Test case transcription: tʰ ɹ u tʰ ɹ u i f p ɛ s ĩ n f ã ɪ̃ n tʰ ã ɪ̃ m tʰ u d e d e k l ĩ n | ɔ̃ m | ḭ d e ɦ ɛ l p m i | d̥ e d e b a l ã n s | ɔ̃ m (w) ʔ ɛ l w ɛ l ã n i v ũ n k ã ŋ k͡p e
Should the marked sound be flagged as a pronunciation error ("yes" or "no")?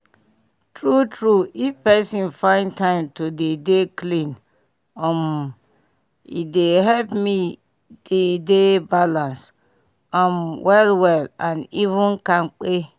no